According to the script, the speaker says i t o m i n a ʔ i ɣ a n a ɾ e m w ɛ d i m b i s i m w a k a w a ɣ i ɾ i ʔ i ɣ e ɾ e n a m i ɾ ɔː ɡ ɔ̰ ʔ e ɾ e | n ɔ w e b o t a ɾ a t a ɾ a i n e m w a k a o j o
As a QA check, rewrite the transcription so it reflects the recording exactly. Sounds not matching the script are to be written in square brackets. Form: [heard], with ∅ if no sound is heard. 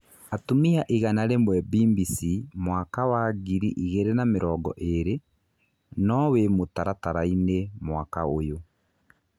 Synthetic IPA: [a] t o m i [∅] a ʔ i ɣ a n a ɾ e m w ɛ [b] i m b i s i m w a k a w a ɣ i ɾ i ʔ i ɣ e ɾ e n a m [e] ɾ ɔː ɡ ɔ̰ ʔ e ɾ e | n ɔ w e [m] o t a ɾ a t a ɾ a i n e m w a k a o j o